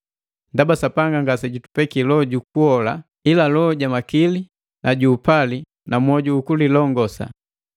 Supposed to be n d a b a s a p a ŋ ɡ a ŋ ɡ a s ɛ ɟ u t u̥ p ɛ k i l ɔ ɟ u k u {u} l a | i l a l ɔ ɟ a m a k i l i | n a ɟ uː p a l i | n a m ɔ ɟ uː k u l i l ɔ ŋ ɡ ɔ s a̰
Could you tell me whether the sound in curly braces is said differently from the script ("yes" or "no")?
yes